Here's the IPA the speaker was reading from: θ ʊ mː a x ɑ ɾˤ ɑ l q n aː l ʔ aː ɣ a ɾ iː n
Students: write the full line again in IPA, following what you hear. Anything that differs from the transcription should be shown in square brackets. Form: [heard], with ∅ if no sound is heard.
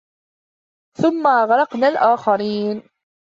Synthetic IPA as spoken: θ ʊ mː a [ɣ] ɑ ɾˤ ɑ [∅] q n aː l ʔ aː [x] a ɾ iː n